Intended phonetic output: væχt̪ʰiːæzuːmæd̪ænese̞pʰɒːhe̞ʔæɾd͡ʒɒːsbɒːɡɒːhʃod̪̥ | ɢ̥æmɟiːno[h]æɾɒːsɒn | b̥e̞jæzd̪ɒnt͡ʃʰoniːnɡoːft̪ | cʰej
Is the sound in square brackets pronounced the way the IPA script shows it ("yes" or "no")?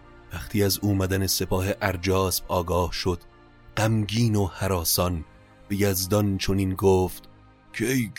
yes